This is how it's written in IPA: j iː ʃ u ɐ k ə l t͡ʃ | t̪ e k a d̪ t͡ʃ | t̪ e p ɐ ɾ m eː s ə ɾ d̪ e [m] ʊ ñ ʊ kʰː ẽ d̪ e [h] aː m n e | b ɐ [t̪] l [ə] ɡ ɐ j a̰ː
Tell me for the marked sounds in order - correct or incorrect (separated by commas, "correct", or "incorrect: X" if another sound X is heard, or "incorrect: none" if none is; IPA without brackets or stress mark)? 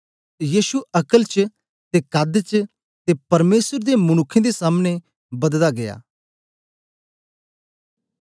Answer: correct, incorrect: s, incorrect: d̪, incorrect: a